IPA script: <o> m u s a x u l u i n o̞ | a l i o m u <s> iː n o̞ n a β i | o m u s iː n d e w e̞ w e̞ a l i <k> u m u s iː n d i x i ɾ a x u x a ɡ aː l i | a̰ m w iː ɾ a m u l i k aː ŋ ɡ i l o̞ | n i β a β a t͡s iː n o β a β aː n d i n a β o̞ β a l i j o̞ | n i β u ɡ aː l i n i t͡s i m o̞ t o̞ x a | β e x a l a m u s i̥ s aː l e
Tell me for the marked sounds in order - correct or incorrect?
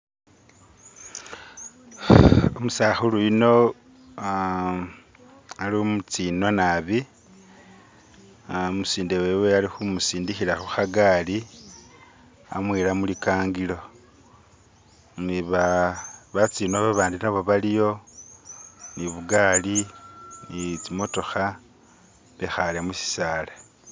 correct, incorrect: t͡s, incorrect: x

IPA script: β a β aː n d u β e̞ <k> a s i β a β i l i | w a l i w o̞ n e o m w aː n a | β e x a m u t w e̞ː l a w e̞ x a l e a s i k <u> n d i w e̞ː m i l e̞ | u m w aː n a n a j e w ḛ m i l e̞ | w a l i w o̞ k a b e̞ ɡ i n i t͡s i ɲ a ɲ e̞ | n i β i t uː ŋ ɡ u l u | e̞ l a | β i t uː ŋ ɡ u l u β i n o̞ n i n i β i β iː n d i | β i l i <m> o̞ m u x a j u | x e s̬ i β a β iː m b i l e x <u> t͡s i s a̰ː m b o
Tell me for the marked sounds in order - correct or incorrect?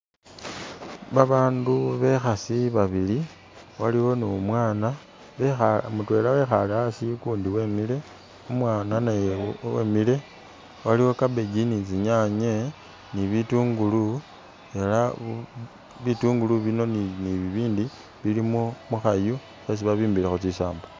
incorrect: x, incorrect: uː, correct, incorrect: o

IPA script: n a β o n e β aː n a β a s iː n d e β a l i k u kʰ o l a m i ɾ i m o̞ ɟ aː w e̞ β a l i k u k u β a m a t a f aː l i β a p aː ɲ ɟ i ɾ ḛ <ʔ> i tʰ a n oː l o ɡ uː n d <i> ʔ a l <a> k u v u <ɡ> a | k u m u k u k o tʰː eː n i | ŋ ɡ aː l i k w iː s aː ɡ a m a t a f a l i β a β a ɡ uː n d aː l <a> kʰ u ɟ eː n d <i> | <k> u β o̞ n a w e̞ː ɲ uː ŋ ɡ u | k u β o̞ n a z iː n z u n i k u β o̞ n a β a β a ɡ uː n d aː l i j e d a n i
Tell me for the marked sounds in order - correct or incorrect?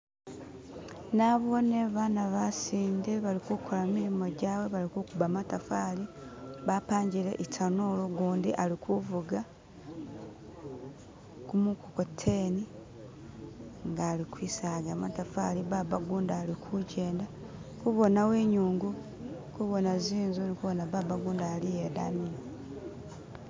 correct, correct, incorrect: i, correct, incorrect: i, incorrect: a, correct

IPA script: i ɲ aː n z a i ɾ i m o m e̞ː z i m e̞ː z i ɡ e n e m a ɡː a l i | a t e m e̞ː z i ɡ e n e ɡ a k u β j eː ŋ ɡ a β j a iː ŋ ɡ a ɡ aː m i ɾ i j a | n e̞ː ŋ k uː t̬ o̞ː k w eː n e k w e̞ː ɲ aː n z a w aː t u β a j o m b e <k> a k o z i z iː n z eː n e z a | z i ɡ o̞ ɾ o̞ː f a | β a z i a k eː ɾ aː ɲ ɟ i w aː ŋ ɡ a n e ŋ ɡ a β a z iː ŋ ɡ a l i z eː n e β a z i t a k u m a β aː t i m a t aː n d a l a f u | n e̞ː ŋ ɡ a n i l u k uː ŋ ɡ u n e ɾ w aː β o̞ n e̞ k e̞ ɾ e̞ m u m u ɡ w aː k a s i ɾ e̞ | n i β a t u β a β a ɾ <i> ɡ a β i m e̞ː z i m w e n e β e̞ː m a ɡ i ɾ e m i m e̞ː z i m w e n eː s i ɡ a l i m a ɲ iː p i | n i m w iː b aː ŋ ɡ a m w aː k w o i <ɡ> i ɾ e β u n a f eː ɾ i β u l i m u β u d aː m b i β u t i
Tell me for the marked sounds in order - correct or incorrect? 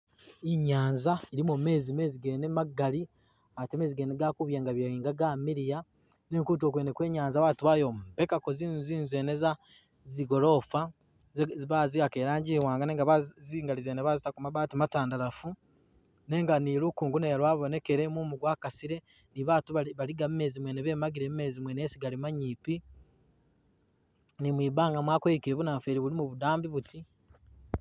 correct, correct, incorrect: k

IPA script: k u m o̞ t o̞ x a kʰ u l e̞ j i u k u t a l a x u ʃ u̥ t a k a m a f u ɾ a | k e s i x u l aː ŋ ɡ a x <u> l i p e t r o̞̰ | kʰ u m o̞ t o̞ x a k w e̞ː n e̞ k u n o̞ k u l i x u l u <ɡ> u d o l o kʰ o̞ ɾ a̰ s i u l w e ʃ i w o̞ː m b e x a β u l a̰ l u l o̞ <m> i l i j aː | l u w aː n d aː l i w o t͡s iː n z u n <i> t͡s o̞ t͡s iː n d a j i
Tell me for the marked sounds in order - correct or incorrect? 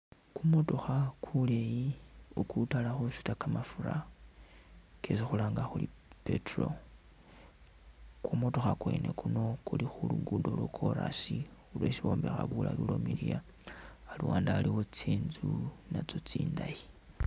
correct, correct, correct, incorrect: a

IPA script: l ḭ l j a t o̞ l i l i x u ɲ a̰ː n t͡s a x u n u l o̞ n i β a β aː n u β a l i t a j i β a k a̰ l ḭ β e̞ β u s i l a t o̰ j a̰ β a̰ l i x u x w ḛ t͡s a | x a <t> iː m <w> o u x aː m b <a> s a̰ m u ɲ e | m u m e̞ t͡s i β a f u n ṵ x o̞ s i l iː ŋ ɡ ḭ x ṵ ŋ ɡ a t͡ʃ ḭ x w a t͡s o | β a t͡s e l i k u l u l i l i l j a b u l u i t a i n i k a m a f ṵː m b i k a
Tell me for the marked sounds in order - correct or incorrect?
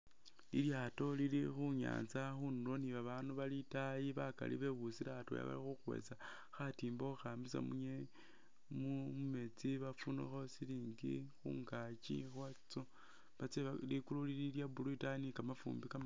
correct, incorrect: b, incorrect: i

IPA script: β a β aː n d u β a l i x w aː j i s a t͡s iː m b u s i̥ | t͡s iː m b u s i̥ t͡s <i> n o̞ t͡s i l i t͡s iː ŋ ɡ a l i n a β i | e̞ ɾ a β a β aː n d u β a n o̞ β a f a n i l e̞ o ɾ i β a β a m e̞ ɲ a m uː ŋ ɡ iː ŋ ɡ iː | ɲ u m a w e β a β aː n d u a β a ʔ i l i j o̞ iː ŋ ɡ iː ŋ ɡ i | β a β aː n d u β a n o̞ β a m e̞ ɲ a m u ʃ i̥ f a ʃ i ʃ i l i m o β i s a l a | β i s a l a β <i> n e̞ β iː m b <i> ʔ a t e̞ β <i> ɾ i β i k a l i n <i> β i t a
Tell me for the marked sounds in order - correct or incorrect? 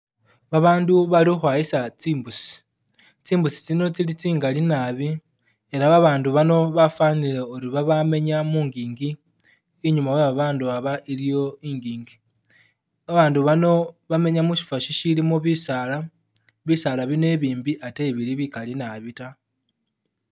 correct, correct, correct, correct, incorrect: a

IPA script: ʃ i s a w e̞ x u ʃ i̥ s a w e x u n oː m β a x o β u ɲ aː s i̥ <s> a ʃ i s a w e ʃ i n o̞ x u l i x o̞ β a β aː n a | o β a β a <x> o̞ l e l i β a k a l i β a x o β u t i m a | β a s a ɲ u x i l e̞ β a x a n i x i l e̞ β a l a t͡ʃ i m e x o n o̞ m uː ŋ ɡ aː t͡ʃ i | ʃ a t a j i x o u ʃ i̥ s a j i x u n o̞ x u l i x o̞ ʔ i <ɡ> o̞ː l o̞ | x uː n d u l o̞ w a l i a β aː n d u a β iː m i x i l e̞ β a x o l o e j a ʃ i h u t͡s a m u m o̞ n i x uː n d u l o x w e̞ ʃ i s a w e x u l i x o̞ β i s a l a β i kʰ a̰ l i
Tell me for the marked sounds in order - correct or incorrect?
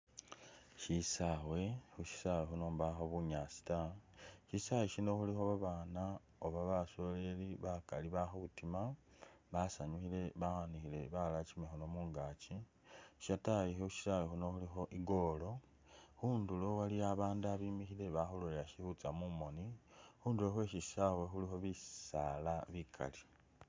incorrect: t, incorrect: s, correct

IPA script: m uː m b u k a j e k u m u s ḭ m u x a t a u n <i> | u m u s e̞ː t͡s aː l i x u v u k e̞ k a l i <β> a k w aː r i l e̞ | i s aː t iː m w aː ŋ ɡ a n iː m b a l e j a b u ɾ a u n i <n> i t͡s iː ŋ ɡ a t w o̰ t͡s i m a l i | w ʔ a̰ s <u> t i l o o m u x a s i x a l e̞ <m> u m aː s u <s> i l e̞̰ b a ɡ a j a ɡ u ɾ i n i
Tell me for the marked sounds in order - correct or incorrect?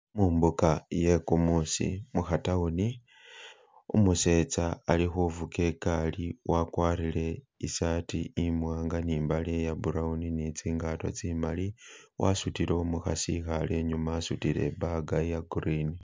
correct, incorrect: w, correct, correct, incorrect: ɲ, incorrect: t

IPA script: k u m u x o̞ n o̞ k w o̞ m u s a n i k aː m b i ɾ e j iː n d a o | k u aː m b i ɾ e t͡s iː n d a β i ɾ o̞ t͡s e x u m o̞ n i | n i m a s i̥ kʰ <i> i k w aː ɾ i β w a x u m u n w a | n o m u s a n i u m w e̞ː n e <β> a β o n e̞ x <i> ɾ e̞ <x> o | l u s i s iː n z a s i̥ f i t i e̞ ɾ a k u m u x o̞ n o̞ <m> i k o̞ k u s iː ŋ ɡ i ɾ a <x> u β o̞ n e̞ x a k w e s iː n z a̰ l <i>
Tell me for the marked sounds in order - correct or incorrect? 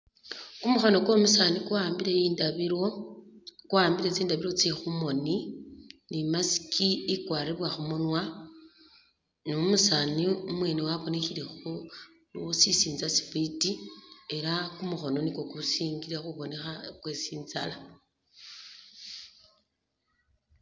correct, incorrect: w, correct, correct, incorrect: n, correct, incorrect: a

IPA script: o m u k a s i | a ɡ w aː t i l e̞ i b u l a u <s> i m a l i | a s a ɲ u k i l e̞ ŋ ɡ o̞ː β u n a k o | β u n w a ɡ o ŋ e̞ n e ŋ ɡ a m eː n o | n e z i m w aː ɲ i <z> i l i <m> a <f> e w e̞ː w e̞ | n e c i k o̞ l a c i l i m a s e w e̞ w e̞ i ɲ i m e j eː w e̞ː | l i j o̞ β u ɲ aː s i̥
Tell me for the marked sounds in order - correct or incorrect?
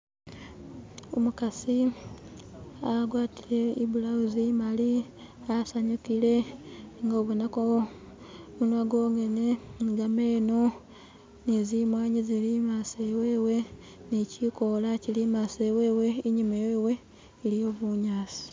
incorrect: z, correct, correct, incorrect: s

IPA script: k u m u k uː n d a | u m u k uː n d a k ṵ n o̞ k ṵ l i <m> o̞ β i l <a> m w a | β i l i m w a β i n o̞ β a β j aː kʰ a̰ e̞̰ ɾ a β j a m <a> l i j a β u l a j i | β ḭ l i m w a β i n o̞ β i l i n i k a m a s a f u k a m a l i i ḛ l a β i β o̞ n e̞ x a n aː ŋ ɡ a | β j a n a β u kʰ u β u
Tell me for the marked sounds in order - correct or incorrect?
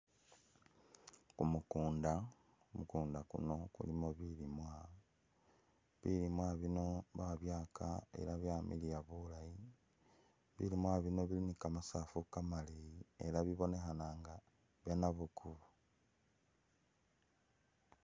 correct, incorrect: i, incorrect: i

